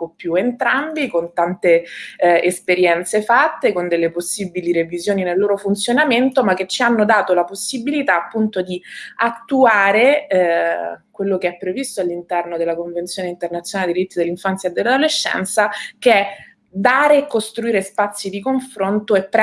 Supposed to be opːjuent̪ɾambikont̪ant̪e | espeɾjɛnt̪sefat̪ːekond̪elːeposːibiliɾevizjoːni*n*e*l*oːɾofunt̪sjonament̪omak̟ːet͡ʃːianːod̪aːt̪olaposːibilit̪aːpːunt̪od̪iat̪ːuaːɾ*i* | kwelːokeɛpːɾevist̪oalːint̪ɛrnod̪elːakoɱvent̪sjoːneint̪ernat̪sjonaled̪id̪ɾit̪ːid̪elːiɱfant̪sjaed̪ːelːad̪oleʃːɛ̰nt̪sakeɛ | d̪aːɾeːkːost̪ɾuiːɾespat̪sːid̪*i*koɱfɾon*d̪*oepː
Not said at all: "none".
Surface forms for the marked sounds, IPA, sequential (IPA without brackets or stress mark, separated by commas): n, lː, e, i, t̪